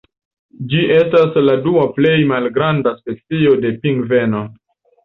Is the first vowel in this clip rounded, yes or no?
no